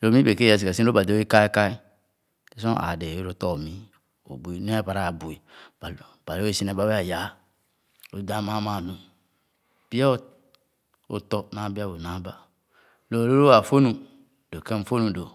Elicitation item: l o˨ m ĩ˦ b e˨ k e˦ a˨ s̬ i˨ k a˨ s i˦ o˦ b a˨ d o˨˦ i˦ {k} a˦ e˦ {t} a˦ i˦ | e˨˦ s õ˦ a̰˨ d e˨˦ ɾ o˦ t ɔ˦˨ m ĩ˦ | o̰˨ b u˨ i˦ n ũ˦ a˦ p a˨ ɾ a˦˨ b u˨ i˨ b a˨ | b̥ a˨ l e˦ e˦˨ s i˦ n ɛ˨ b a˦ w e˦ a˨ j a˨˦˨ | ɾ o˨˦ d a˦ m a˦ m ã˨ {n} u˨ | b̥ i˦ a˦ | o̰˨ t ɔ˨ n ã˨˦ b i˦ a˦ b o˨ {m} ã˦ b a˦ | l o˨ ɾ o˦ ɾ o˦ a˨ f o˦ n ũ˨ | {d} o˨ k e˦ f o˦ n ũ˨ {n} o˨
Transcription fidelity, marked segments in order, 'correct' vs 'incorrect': correct, incorrect, correct, incorrect, correct, incorrect

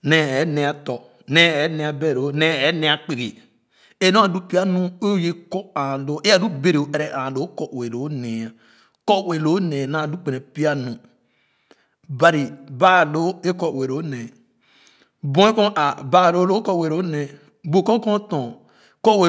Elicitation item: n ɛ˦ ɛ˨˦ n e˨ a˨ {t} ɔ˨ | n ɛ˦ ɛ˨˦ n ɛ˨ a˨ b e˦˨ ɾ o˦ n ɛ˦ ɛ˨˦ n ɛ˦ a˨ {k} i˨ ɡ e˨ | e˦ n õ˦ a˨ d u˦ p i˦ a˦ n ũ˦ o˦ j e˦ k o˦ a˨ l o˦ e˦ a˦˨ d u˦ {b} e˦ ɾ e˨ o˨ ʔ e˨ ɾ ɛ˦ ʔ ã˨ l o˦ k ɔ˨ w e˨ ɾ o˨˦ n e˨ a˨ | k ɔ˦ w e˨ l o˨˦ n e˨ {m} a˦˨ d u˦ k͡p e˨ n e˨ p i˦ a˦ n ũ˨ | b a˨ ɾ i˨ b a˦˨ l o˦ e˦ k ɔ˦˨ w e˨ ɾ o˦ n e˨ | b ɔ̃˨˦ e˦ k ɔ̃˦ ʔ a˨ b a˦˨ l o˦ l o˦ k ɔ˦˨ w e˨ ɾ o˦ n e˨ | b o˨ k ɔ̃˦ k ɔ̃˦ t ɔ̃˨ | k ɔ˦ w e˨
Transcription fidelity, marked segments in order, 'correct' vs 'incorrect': correct, incorrect, correct, incorrect

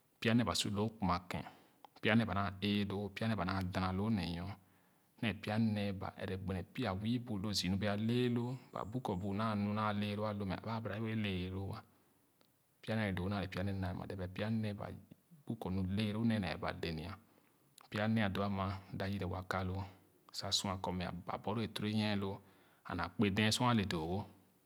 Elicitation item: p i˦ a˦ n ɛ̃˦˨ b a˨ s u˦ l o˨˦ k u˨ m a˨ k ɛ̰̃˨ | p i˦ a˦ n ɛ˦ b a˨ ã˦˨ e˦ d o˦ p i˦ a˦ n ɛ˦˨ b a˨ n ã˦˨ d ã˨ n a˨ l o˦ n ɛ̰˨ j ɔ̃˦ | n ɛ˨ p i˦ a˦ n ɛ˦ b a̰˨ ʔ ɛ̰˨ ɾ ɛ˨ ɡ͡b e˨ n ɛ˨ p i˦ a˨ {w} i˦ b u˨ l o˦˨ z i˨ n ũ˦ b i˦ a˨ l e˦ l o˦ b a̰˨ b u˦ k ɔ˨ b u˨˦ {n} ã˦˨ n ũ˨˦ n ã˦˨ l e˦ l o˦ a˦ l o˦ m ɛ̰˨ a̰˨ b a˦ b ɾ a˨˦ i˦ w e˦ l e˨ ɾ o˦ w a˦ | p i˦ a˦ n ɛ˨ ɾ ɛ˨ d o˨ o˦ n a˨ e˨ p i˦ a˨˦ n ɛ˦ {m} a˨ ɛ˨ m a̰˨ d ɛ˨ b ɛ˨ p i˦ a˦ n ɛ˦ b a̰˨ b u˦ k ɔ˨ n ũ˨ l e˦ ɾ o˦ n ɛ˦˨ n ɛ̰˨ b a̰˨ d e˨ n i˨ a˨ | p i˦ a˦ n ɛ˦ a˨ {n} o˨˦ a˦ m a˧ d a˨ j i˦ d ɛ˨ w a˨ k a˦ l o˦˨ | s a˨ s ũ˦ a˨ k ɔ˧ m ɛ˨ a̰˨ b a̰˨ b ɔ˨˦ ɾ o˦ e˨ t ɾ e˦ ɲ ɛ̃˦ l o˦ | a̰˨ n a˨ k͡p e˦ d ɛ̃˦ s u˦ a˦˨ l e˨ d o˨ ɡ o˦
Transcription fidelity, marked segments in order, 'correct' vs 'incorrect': correct, correct, incorrect, incorrect

